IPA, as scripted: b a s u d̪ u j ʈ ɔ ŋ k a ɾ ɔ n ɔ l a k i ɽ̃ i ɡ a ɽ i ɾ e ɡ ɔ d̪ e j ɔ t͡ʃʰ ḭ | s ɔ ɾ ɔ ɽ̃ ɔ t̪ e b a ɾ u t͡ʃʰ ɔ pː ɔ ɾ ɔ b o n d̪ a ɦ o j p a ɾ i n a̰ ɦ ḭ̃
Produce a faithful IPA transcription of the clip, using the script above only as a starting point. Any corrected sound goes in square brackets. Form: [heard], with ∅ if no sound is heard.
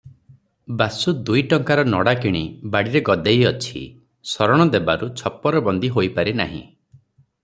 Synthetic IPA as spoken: b a s u d̪ u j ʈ ɔ ŋ k a ɾ ɔ n ɔ [ɽ] a k i ɽ̃ i [b] a ɽ i ɾ e ɡ ɔ d̪ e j ɔ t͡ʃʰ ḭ | s ɔ ɾ ɔ ɽ̃ ɔ [d̪] e b a ɾ u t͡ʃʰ ɔ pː ɔ ɾ ɔ b [ɔ] n d̪ [i] ɦ o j p a ɾ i n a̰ ɦ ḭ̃